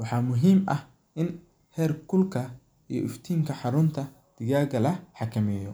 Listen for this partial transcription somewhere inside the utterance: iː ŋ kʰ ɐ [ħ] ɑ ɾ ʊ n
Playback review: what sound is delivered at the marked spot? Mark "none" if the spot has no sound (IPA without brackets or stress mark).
ħ